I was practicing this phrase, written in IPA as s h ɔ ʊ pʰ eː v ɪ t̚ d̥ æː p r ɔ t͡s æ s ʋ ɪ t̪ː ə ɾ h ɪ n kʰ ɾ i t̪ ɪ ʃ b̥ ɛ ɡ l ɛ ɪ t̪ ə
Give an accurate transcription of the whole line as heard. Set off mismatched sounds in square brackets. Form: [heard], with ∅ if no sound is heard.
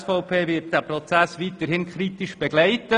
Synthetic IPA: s [f] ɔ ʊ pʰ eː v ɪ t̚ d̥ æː p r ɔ t͡s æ s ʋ [i] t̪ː ə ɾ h ɪ n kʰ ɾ i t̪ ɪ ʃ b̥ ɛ ɡ l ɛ ɪ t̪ ə